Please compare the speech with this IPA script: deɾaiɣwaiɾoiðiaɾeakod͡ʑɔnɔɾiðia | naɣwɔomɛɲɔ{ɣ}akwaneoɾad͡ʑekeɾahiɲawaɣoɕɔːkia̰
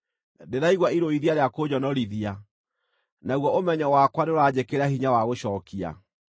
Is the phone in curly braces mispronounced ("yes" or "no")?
yes